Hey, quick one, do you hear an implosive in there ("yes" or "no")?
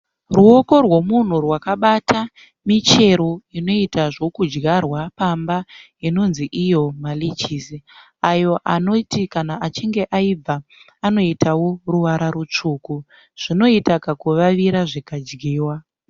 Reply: yes